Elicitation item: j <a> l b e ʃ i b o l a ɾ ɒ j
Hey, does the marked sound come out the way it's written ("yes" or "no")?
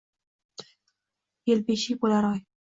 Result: no